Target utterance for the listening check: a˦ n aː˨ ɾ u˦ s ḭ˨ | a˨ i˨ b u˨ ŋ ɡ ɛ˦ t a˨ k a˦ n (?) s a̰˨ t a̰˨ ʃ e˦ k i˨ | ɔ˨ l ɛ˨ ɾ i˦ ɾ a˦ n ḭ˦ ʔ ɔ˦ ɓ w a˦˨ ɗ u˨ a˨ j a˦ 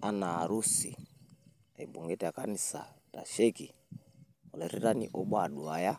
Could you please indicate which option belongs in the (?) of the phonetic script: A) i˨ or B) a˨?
A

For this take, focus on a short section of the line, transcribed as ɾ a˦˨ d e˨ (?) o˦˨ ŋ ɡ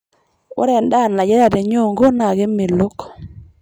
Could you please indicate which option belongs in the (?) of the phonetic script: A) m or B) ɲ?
B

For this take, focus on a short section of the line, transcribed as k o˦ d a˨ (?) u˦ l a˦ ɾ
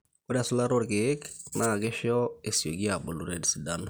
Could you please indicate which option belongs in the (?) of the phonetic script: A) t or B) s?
B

